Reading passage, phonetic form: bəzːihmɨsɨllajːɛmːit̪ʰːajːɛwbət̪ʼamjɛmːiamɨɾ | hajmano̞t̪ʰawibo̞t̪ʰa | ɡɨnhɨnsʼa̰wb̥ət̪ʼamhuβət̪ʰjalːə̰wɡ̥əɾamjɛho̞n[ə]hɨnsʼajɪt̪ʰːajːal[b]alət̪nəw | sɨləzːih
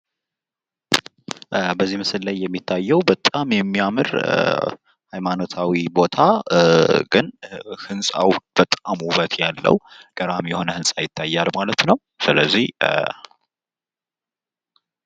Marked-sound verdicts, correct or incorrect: correct, incorrect: m

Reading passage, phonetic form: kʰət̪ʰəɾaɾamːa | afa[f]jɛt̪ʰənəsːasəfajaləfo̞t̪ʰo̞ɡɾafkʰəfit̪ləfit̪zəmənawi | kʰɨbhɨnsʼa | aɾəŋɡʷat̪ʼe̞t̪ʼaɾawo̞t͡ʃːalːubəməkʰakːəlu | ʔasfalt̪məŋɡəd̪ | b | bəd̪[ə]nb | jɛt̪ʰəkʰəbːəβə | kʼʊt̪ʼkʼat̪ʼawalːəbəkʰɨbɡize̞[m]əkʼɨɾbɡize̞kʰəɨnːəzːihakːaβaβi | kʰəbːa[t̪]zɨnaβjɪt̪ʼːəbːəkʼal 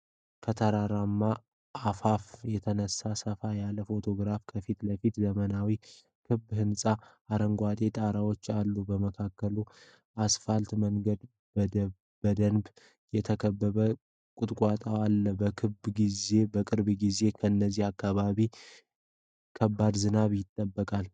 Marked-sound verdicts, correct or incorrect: correct, correct, incorrect: b, incorrect: d̪

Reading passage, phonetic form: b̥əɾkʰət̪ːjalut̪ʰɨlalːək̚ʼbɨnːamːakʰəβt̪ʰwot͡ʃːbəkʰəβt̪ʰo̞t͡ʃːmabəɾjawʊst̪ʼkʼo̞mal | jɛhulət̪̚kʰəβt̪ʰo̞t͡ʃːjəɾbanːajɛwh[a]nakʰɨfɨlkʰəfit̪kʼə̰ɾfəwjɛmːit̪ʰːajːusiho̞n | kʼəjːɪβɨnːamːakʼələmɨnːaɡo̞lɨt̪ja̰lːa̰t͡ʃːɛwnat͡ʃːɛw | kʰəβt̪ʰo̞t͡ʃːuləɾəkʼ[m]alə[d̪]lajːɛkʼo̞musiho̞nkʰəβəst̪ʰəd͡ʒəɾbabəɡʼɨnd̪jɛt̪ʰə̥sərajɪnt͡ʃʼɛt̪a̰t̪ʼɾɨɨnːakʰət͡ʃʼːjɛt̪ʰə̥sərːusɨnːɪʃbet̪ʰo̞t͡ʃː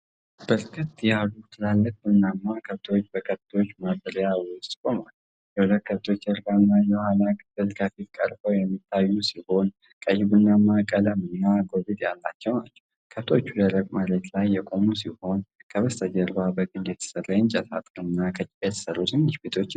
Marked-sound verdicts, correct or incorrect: correct, correct, incorrect: t̪

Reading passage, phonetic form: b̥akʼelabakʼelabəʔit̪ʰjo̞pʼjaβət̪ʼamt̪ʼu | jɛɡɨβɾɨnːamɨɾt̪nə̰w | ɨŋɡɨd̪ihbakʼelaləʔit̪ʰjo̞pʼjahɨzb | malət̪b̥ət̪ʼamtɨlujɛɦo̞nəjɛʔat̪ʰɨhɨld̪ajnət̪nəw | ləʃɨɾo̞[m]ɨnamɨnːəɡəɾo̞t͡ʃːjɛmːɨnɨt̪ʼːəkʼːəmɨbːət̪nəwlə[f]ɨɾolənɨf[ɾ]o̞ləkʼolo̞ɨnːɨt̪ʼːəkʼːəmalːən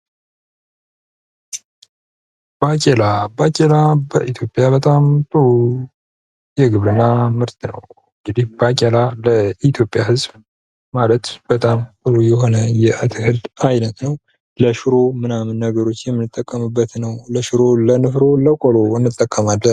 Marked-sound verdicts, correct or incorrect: correct, incorrect: ʃ, correct

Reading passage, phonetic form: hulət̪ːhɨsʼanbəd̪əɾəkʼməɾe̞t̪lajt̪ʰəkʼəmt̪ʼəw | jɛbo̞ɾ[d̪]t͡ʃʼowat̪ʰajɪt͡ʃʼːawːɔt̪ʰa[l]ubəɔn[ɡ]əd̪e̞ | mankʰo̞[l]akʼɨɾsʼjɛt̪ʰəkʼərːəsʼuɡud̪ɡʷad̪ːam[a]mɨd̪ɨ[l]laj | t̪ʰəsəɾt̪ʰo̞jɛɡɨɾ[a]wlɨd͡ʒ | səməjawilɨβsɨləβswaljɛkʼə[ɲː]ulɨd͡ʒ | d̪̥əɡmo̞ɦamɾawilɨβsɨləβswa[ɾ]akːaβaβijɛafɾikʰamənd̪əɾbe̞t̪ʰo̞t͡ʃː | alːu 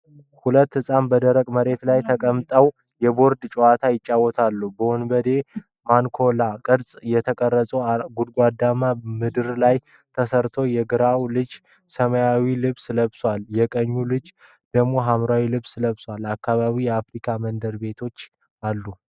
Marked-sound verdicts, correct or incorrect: correct, incorrect: lː, incorrect: b, correct, correct, incorrect: ɾ, correct, correct, incorrect: l

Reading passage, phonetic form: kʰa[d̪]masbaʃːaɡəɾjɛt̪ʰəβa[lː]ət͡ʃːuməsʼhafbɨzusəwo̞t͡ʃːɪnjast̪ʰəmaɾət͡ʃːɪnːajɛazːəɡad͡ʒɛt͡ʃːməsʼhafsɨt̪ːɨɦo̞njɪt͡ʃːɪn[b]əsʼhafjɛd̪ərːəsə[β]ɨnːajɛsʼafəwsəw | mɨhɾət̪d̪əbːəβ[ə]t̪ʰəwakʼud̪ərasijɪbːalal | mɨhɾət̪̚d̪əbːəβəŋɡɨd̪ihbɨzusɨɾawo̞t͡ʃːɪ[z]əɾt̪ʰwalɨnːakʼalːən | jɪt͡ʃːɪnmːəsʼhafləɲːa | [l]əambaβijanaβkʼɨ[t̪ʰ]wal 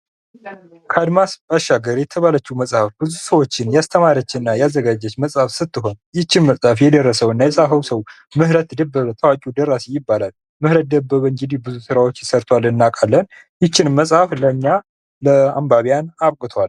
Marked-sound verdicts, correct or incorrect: correct, incorrect: l, incorrect: m, incorrect: w, correct, incorrect: s, correct, correct

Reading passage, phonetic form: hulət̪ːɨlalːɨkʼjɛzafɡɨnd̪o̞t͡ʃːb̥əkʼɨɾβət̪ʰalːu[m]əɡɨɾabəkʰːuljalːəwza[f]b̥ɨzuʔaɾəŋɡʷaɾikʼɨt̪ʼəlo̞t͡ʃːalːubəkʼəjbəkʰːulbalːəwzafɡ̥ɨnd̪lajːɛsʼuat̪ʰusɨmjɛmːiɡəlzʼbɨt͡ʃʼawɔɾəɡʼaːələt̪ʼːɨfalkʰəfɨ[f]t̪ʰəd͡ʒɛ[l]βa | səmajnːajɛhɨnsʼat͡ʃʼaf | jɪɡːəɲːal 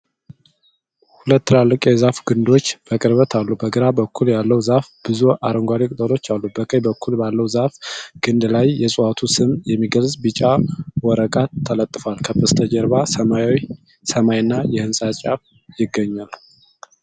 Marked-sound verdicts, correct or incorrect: incorrect: b, correct, incorrect: s, incorrect: ɾ

